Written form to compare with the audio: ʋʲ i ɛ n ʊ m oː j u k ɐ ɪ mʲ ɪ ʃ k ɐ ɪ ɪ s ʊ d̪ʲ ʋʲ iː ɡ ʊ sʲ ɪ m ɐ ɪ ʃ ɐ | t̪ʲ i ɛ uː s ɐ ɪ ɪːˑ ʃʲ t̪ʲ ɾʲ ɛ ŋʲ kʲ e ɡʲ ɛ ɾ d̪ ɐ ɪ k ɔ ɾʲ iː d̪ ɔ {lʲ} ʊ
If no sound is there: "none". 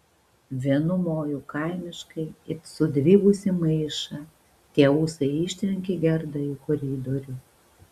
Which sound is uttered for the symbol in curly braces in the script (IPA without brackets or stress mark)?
ɾʲ